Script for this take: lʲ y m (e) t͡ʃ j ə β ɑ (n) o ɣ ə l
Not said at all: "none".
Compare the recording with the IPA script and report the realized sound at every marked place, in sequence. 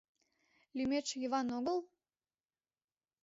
e, n

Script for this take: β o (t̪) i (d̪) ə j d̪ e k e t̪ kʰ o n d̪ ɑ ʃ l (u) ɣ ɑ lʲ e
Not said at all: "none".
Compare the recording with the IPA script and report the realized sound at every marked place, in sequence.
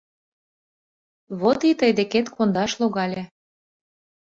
t̪, t̪, o

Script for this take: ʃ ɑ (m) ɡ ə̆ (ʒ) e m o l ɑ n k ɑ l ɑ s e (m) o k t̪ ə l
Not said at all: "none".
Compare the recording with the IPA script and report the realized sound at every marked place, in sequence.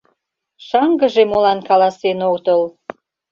ŋ, ʒ, n

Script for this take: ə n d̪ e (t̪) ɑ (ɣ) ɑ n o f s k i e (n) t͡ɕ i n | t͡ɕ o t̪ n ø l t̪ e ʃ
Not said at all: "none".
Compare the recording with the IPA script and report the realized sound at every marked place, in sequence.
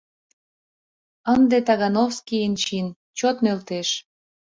t̪, ɣ, n

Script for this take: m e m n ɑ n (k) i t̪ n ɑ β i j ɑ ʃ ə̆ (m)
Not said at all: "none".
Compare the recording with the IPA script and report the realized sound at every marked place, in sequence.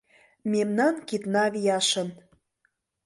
k, n

